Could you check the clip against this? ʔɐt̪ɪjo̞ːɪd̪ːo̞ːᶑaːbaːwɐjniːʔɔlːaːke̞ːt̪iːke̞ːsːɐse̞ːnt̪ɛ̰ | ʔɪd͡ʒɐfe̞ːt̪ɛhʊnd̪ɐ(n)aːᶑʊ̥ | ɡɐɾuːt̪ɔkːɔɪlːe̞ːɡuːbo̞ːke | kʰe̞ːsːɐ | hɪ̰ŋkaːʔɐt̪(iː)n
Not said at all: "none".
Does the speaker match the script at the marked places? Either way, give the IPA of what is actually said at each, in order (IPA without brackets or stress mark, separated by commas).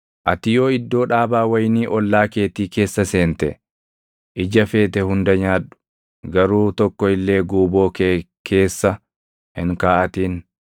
ɲ, iː